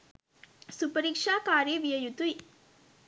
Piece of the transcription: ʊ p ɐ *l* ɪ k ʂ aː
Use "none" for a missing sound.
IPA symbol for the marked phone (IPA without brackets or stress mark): ɾ